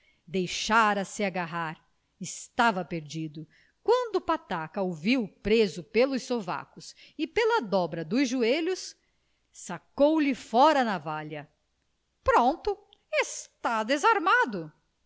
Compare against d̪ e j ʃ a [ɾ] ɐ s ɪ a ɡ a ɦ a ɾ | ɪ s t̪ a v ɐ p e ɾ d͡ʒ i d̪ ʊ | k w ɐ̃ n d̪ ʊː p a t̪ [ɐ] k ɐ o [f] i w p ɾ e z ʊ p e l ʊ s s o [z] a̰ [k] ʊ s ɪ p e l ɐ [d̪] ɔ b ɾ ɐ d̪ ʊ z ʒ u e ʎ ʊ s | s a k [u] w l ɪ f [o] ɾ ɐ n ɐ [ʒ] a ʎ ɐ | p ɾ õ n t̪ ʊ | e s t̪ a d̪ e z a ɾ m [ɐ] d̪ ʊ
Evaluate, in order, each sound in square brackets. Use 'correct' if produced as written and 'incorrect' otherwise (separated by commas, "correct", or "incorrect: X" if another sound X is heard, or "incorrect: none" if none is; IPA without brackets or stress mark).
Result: correct, incorrect: a, incorrect: v, incorrect: v, correct, correct, incorrect: o, incorrect: ɔ, incorrect: v, incorrect: a